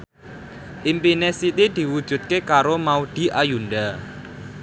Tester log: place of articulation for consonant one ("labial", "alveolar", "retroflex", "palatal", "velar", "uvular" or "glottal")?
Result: glottal